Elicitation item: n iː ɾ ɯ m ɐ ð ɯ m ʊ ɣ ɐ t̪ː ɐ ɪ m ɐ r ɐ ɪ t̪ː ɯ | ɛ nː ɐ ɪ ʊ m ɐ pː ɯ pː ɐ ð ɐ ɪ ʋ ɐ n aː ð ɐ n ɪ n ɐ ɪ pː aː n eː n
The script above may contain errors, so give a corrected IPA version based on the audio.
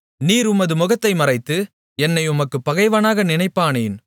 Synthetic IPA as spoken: n iː ɾ ʊ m ɐ ð ɯ m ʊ ɣ ɐ t̪ː ɐ ɪ m ɐ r ɐ ɪ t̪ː ɯ | ɛ nː ɐ ɪ ʊ m ɐ kː ɯ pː ɐ ɣ ɐ ɪ ʋ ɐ n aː ɣ ɐ n ɪ n ɐ ɪ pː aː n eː n